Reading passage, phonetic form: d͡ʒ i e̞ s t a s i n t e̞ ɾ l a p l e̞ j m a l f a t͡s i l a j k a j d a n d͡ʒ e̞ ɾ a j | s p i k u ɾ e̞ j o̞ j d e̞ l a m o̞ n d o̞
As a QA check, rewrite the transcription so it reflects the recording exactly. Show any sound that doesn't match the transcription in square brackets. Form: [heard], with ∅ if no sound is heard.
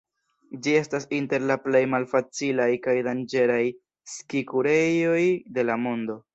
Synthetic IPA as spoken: d͡ʒ i e̞ s t a s i n t e̞ ɾ l a p l e̞ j m a l f a t͡s i l a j k a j d a n d͡ʒ e̞ ɾ a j | s [k] i k u ɾ e̞ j o̞ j d e̞ l a m o̞ n d o̞

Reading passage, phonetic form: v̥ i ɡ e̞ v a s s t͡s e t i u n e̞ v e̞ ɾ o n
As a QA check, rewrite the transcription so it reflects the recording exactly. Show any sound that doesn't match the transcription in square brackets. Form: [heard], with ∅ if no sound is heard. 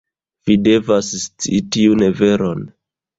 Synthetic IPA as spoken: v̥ i [d] e̞ v a s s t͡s [i] t i u n e̞ v e̞ ɾ o n

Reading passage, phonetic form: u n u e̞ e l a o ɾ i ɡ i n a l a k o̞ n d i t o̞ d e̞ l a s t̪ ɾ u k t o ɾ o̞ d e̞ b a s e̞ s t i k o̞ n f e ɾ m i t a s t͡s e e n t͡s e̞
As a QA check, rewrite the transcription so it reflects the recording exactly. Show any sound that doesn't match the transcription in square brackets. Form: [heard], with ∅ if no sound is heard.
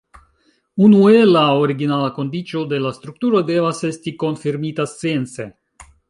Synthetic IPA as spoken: u n u e̞ e l a o ɾ i ɡ i n a l a k o̞ n d i [t͡ʃ] o̞ d e̞ l a s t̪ ɾ u k t [u] ɾ o̞ d e̞ [v] a s e̞ s t i k o̞ n f [i] ɾ m i t a s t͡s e e n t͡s e̞

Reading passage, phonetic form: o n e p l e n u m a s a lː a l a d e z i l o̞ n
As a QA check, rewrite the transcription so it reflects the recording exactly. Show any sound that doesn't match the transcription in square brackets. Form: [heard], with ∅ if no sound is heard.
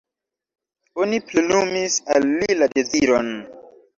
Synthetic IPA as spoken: o n [i] p l e n u m [i] s a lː [i] l a d e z i [ɾ] o̞ n

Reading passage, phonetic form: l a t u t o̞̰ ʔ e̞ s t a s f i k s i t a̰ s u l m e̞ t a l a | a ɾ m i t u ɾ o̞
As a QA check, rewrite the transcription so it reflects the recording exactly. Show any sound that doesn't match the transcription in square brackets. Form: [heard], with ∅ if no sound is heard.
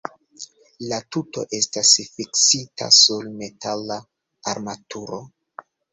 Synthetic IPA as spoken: l a t u t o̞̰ ʔ e̞ s t a s f i k s i t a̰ s u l m e̞ t a l a | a ɾ m [a] t u ɾ o̞

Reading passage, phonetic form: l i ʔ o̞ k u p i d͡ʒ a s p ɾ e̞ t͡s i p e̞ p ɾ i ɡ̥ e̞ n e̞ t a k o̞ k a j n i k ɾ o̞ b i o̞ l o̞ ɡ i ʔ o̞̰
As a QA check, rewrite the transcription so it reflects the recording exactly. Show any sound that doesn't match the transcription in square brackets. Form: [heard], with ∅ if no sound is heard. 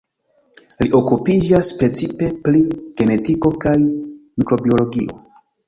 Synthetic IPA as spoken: l i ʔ o̞ k u p i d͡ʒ a s p ɾ e̞ t͡s i p e̞ p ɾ i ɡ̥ e̞ n e̞ t [i] k o̞ k a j [m] i k ɾ o̞ b i o̞ l o̞ ɡ i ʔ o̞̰

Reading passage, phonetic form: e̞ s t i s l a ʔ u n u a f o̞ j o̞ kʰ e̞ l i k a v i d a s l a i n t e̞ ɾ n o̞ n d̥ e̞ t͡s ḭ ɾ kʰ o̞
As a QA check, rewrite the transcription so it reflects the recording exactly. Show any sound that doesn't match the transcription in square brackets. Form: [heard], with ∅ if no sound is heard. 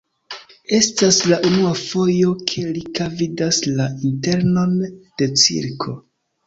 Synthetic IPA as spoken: e̞ s t [a] s l a ʔ u n u a f o̞ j o̞ kʰ e̞ l i k a v i d a s l a i n t e̞ ɾ n o̞ n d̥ e̞ t͡s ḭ ɾ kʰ o̞

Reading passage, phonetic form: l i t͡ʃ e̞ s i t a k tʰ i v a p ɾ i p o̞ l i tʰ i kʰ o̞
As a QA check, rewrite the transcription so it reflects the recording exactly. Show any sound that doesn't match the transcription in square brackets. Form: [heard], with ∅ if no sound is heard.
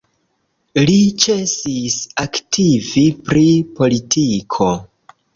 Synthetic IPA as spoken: l i t͡ʃ e̞ s i [s] a k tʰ i v [i] p ɾ i p o̞ l i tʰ i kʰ o̞

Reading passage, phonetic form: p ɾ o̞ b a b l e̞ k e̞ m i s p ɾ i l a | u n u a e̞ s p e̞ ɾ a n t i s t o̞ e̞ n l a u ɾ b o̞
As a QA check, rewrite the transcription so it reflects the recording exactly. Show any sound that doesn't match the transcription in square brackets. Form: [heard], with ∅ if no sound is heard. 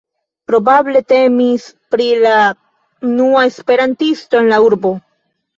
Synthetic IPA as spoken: p ɾ o̞ b a b l e̞ [t] e̞ m i s p ɾ i l a | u n u a e̞ s p e̞ ɾ a n t i s t o̞ e̞ n l a u ɾ b o̞

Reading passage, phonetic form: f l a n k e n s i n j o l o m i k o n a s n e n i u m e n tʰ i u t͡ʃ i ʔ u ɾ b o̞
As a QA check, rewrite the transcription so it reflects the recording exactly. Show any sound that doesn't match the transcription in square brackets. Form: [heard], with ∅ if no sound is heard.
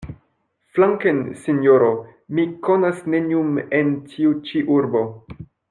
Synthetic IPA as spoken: f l a [ŋ] k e n s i n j o [ɾ] o m i k o n a s n e n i u m e n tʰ i u t͡ʃ i ʔ u ɾ b o̞

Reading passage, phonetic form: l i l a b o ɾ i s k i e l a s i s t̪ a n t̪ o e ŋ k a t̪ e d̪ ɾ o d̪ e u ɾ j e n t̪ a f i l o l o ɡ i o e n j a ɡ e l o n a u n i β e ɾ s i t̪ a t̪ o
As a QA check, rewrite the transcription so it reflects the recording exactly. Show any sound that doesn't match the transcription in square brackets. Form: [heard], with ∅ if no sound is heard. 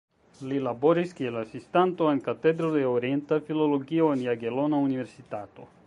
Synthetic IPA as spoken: l i l a b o ɾ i s k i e l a s i s t̪ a n t̪ o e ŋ k a t̪ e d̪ ɾ o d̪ e [o] ɾ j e n t̪ a f i l o l o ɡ i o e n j a ɡ e l o n a u n i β e ɾ s i t̪ a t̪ o

